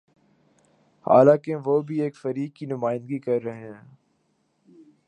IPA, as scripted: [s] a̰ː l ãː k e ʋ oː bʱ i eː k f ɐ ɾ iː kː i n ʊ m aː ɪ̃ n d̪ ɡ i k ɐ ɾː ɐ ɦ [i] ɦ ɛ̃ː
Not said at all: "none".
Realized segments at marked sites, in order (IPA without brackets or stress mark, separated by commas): h, e